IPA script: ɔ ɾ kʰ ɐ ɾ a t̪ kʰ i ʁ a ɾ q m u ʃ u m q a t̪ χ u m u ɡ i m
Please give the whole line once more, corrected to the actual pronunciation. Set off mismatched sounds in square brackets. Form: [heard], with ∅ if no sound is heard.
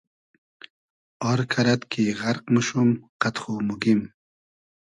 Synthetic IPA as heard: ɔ ɾ kʰ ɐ ɾ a t̪ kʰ i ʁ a ɾ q m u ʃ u m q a t̪ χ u m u ɡ i m